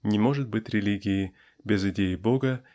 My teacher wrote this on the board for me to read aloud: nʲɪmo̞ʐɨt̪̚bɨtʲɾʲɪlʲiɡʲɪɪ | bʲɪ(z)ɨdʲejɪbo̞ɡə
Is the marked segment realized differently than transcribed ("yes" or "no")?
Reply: no